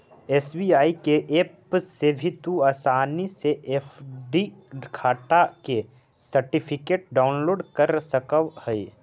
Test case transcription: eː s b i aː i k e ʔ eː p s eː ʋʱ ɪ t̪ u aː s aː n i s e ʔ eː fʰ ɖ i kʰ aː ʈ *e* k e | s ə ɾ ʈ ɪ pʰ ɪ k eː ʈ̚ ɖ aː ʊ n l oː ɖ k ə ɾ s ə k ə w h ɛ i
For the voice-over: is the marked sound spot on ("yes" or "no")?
no